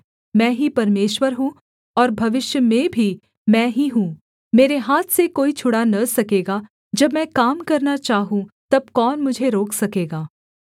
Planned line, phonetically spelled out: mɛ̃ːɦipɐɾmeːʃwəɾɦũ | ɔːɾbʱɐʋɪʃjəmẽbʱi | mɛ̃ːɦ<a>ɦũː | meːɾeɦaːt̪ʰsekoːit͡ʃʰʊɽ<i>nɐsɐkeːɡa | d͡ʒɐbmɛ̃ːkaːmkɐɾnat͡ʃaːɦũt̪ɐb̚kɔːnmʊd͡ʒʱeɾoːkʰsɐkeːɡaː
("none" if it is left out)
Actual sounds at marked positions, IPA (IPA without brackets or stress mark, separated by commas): i, a